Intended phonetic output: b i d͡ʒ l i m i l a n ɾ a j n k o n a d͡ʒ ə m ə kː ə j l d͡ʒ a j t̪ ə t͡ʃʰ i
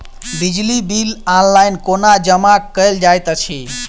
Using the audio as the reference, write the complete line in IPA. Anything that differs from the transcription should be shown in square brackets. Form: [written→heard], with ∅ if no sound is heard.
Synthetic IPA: b i d͡ʒ l i [m→b] i l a n [ɾ→l] a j n k o n a d͡ʒ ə m [ə→a] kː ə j l d͡ʒ a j t̪ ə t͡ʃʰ i